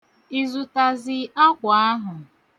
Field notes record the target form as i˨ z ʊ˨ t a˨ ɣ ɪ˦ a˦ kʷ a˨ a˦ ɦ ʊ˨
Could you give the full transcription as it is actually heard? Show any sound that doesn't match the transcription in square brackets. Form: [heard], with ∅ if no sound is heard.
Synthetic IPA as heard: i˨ z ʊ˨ t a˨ [z] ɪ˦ a˦ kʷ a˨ a˦ ɦ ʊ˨